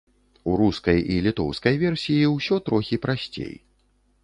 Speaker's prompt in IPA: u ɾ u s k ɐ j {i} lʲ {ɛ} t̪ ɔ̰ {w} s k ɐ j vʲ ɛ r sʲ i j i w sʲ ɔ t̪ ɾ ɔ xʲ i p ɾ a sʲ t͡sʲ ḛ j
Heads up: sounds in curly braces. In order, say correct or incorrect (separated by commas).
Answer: correct, incorrect, correct